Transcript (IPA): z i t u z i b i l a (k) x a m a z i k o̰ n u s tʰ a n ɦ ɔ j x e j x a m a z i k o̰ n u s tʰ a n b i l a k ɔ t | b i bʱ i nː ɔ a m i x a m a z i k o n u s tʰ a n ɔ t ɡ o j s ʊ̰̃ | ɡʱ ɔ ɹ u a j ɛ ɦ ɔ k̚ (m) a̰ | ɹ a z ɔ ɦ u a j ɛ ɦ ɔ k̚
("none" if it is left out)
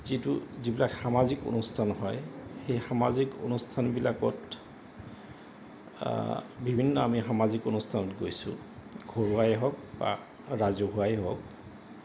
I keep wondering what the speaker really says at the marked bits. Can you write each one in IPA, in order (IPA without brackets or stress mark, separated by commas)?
k, b